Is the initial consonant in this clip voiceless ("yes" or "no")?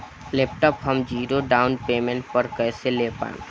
no